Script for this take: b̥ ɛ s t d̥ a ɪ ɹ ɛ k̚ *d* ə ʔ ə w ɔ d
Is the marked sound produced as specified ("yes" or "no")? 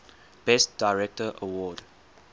no